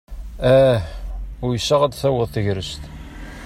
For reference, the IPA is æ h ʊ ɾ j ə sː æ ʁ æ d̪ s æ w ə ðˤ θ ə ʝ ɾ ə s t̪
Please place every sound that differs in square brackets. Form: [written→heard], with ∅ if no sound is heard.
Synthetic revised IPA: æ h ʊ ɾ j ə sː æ ʁ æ d̪ [s→θ] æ w ə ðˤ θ ə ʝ ɾ ə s t̪